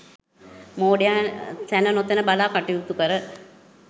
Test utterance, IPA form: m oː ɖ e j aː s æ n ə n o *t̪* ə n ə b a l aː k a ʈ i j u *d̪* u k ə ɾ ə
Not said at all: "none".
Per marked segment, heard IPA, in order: t̪, t̪

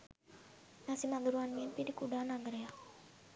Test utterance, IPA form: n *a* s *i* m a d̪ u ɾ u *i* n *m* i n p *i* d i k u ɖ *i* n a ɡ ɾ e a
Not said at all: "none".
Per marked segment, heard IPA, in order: a, i, a, m, i, a

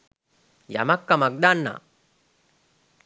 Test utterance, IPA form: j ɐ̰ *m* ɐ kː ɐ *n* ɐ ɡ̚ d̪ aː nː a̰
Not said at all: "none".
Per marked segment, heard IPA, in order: m, m

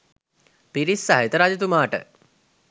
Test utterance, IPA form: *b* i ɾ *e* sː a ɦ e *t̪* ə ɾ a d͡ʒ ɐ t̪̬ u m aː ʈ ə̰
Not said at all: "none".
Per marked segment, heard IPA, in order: p, i, t̪

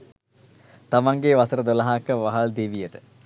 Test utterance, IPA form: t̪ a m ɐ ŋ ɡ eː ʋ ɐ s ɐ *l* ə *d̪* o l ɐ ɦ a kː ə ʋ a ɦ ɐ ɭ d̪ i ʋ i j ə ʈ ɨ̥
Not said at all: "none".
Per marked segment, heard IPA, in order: ɾ, d̪

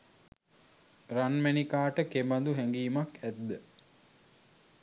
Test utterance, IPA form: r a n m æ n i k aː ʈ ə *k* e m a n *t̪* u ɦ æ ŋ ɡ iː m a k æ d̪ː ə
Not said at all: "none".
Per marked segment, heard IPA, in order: k, d̪

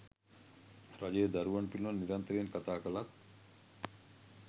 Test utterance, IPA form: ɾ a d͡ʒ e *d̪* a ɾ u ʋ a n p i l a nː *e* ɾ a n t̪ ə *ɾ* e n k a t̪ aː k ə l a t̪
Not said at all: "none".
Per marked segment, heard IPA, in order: d̪, i, ɾ

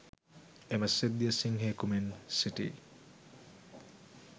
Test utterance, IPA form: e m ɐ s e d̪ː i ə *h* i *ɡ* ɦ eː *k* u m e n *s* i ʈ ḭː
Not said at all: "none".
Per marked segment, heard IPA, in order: s, ŋ, k, s

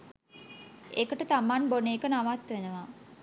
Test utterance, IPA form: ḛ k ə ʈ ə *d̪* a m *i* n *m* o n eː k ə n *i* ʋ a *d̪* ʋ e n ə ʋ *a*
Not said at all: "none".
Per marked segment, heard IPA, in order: t̪, a, b, a, t̪, a

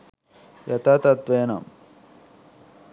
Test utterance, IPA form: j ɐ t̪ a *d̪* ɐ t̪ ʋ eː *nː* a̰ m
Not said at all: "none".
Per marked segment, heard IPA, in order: t̪, n

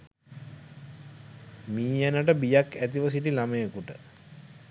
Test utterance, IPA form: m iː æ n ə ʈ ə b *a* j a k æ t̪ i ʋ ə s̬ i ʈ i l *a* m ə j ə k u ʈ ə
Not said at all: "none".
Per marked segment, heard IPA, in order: i, a

